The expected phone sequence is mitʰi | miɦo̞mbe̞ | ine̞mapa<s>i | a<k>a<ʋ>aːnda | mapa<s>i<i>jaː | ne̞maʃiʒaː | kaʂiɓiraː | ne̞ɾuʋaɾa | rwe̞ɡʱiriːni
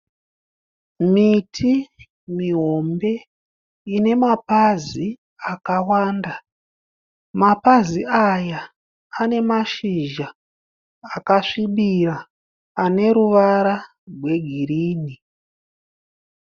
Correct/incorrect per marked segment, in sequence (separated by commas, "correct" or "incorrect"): incorrect, correct, incorrect, incorrect, incorrect